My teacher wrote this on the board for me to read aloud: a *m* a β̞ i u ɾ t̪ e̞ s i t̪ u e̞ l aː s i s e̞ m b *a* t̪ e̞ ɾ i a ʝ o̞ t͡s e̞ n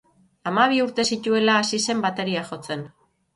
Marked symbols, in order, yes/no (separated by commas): yes, yes